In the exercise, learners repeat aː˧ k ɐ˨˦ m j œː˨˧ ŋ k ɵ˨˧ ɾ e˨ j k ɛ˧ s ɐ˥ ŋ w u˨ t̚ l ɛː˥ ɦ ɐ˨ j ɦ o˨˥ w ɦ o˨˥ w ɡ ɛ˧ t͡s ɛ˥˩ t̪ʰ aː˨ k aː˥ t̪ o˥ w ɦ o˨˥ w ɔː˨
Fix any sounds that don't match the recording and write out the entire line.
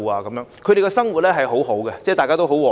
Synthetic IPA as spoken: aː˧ k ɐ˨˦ m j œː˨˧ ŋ kʰ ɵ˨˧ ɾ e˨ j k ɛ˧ s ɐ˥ ŋ w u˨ t̚ l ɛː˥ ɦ ɐ˨ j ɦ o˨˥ w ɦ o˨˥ w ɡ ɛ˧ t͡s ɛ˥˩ t̪ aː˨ k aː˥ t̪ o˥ w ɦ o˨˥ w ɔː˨